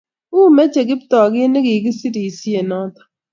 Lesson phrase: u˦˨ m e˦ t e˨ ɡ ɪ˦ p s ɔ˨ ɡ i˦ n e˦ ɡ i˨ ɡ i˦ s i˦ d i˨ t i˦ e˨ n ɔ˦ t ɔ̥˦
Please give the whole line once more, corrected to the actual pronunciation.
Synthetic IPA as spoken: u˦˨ m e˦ t͡ʃ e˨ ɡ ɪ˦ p t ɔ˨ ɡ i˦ n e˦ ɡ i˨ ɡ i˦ s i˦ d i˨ s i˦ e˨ n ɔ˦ t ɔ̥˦